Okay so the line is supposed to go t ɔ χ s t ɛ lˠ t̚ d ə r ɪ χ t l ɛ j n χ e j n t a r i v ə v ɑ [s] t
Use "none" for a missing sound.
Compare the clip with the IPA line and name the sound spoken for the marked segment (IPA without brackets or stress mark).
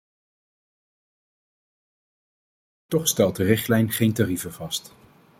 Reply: s